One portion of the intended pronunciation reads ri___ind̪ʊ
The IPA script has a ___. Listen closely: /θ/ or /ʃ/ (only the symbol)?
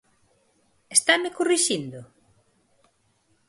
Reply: ʃ